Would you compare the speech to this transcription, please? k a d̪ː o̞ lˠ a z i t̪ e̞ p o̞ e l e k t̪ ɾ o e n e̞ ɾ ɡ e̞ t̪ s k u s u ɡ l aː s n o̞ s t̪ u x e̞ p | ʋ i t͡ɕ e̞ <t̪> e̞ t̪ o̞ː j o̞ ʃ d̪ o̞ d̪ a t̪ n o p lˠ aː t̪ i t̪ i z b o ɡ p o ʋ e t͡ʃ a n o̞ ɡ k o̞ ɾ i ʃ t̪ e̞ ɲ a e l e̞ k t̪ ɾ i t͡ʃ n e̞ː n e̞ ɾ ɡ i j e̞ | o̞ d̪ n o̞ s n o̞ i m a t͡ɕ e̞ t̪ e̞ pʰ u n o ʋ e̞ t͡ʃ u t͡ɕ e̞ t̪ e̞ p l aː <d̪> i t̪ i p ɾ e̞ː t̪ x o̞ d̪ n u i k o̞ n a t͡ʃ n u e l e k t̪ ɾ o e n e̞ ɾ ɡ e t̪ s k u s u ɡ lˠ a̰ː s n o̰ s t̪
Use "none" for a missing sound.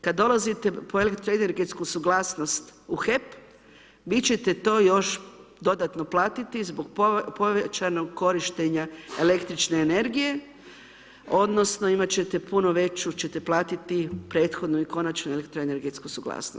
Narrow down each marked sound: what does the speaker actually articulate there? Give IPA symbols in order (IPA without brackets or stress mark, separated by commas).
t̪, t̪